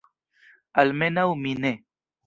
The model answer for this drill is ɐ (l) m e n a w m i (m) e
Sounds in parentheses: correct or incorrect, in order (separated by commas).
correct, incorrect